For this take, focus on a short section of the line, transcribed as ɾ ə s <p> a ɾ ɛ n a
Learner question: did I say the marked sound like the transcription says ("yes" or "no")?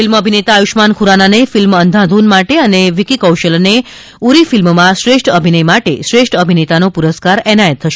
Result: no